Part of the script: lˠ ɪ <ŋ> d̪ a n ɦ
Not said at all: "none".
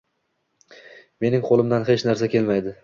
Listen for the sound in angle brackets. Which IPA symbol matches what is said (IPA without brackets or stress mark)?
m